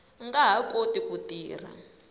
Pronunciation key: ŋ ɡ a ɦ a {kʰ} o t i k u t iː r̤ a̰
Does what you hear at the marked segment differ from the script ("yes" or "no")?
yes